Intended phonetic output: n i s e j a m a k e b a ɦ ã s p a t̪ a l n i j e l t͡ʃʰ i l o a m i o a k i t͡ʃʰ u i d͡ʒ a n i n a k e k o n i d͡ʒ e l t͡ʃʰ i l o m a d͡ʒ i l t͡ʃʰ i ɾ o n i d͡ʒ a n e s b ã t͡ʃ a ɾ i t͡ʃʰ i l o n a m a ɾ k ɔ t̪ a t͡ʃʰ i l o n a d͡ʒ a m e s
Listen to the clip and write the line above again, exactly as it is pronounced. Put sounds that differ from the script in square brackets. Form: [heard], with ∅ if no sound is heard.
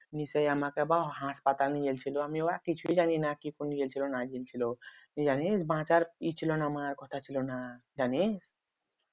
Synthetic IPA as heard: n i s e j a m a k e b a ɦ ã s p a t̪ a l n i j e l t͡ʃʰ i l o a m i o a k i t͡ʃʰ u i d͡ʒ a n i n a k [i] k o n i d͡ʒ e l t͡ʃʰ i l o [n] a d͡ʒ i l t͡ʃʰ i [l] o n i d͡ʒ a n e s b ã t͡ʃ a ɾ i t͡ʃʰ i l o n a m a ɾ k ɔ [t̪ʰ] a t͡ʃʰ i l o n a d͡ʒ a [n] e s